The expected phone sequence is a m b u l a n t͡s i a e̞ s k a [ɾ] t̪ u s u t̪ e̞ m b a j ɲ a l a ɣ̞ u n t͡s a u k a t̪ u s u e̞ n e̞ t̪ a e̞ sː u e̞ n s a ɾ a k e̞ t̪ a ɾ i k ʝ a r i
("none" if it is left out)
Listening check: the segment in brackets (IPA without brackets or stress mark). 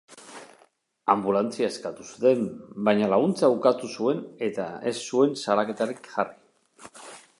none